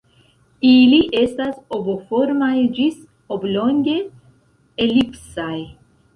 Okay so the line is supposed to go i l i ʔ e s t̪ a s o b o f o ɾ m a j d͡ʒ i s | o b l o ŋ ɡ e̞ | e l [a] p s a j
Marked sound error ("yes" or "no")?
yes